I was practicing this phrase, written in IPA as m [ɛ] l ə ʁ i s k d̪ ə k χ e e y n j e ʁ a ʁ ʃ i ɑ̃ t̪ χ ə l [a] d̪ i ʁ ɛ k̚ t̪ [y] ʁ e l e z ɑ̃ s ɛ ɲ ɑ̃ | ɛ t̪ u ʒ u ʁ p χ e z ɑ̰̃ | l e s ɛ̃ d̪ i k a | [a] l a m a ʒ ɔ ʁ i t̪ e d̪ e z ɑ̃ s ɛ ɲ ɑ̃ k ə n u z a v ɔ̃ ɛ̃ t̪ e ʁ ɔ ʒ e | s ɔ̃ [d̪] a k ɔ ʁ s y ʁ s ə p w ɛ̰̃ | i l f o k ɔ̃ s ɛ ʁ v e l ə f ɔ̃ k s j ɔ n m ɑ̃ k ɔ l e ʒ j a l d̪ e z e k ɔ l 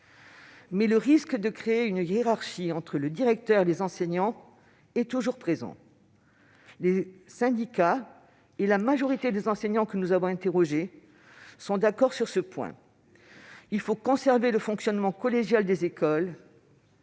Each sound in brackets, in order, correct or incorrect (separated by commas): correct, incorrect, incorrect, incorrect, correct